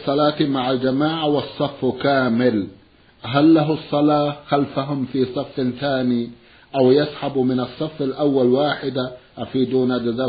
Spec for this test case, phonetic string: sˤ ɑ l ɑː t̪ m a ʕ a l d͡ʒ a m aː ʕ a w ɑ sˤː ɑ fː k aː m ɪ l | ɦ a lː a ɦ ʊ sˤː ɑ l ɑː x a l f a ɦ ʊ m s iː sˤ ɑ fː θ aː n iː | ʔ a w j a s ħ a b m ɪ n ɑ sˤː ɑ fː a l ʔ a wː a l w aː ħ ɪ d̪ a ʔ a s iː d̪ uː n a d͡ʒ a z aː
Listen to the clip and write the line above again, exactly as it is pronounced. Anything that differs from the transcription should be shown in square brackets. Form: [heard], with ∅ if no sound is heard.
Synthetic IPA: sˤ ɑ l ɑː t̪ m a ʕ a l d͡ʒ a m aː ʕ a w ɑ sˤː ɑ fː k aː m ɪ l | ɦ a lː a ɦ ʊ sˤː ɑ l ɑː x a l f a ɦ ʊ m [f] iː sˤ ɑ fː θ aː n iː | ʔ a w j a s ħ a b m ɪ n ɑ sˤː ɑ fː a l ʔ a wː a l w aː ħ ɪ d̪ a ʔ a [f] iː d̪ uː n a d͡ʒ a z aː